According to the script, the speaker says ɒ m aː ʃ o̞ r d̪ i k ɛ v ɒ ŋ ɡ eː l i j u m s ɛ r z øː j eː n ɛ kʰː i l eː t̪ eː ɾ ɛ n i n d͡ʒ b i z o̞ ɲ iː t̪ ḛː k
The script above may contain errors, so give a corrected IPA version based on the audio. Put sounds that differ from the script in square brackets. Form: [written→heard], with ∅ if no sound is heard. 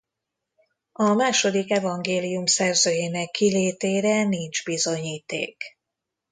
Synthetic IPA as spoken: ɒ m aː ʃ o̞ [r→∅] d̪ i k ɛ v ɒ ŋ ɡ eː l i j u m s ɛ r z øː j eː n ɛ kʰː i l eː t̪ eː ɾ ɛ n i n d͡ʒ b i z o̞ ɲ iː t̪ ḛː k